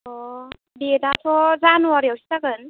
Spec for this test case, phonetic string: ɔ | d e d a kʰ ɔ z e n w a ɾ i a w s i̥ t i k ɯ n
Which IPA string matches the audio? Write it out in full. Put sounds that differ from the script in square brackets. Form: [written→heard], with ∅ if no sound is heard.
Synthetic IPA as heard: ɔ | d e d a [kʰ→tʰ] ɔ z [e→a] n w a ɾ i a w s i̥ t [i→a] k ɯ n

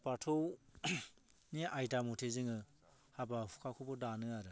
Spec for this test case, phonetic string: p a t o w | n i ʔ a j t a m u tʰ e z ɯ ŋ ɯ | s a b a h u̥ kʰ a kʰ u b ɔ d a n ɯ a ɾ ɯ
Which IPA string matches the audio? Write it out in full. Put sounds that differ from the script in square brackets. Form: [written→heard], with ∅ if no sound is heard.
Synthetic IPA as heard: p a [t→tʰ] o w | n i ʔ a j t a m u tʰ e z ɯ ŋ ɯ | [s→h] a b a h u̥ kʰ a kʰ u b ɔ d a n ɯ a ɾ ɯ

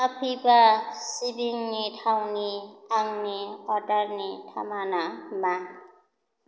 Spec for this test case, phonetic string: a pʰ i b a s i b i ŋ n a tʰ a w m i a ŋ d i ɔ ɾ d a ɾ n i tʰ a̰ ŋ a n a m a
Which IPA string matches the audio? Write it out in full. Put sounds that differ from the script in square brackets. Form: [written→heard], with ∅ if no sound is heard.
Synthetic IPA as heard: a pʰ i b a s i b i ŋ n [a→i] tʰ a w [m→n] i a ŋ [d→n] i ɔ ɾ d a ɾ n i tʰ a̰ [ŋ→m] a n a m a

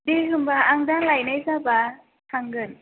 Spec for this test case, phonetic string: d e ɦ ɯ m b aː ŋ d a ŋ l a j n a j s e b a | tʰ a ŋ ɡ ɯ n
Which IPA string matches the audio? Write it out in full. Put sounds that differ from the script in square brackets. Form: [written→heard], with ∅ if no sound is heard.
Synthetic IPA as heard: d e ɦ ɯ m b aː ŋ d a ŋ l a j n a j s [e→a] b a | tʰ a ŋ ɡ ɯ n

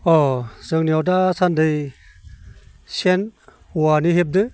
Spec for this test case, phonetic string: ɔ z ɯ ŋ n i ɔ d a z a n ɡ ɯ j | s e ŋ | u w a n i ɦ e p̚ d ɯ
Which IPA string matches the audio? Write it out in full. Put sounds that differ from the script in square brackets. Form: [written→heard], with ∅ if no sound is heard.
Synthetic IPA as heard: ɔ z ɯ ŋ n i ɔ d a [z→s] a n [ɡ→d] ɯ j | s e [ŋ→n] | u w a n i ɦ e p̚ d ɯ

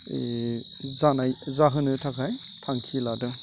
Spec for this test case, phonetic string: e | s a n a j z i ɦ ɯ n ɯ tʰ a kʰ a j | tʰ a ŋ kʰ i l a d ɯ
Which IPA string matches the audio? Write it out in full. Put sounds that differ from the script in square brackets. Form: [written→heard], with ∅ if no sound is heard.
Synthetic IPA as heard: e | [s→z] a n a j z [i→a] ɦ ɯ n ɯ tʰ a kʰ a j | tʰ a ŋ kʰ i l a d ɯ

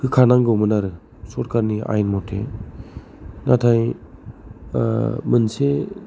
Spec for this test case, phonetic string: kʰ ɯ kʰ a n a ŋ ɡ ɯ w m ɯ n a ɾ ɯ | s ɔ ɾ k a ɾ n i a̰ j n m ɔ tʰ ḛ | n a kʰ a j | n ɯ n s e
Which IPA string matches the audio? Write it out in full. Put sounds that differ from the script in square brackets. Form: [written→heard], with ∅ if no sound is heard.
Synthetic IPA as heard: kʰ ɯ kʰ a n a ŋ ɡ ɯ w m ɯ n a ɾ ɯ | s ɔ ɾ k a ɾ n i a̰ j n m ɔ tʰ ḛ | n a [kʰ→tʰ] a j | [n→m] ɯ n s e

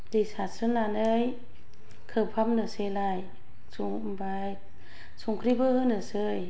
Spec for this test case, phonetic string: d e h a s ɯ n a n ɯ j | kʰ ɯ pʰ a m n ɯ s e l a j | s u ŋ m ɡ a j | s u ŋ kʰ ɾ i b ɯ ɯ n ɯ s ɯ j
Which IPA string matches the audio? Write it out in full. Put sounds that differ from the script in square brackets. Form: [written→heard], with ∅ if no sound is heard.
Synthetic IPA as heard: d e [h→s] a s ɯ n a n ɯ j | kʰ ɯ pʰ a m n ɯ s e l a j | s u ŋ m [ɡ→b] a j | s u ŋ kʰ ɾ i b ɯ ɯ n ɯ s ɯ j

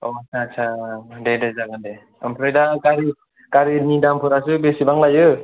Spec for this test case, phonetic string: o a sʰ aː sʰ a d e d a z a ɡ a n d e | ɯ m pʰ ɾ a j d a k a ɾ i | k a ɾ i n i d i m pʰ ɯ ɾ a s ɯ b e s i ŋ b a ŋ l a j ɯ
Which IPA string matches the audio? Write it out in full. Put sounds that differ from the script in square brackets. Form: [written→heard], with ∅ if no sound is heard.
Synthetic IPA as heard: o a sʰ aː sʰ a d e d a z a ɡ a n d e | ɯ m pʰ ɾ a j d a k a ɾ i | k a ɾ i n i d [i→a] m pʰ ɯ ɾ a s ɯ b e s i [ŋ→∅] b a ŋ l a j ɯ

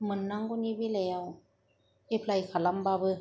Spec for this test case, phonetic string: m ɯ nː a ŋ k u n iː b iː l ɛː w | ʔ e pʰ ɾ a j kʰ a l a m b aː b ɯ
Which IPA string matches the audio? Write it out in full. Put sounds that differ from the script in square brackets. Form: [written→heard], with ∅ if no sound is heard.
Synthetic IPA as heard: m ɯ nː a ŋ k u n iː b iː l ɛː w | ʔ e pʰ [ɾ→l] a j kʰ a l a m b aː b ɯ

